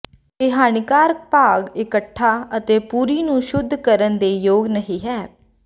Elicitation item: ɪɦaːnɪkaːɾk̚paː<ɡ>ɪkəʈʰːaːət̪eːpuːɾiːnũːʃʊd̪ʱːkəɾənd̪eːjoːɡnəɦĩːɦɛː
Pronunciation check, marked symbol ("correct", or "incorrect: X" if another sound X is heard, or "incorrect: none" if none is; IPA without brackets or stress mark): correct